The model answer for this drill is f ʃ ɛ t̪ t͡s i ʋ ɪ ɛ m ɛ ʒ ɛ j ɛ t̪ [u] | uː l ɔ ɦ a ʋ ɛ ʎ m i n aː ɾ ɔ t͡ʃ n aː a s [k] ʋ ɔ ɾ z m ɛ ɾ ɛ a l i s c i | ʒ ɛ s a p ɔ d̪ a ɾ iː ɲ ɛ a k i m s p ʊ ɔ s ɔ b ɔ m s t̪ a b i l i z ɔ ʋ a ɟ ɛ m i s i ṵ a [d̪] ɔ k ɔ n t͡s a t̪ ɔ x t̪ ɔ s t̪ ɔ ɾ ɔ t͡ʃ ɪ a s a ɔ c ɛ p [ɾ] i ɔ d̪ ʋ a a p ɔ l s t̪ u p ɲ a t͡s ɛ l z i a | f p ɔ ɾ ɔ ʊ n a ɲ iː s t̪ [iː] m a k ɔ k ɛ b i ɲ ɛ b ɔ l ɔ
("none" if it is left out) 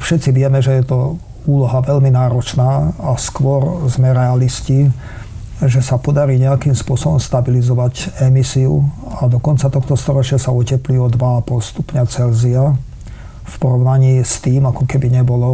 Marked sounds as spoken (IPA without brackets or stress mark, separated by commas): ɔ, k, d̪, l, iː